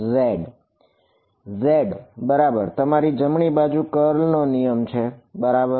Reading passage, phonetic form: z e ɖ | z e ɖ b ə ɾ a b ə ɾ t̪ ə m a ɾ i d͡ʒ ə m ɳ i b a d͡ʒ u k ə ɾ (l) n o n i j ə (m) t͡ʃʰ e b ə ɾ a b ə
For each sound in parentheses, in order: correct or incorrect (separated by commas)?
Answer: correct, correct